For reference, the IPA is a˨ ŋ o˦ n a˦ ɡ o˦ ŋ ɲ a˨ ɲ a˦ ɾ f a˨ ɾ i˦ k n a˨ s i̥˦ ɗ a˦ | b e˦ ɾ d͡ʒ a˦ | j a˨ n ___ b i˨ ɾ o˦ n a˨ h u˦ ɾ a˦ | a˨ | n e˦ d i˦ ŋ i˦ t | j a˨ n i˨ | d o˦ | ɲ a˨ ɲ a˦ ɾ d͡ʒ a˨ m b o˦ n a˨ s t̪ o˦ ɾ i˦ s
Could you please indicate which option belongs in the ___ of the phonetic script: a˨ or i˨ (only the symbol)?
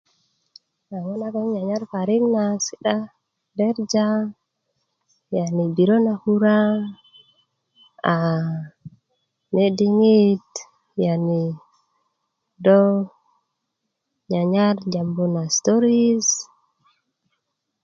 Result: i˨